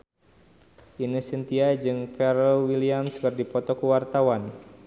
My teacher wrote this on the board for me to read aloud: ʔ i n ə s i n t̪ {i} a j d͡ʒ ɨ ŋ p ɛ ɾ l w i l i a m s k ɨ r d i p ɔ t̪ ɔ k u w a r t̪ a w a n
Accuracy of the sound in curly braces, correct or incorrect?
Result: correct